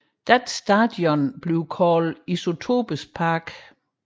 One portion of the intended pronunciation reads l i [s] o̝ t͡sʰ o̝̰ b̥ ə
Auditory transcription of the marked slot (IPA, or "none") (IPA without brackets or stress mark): s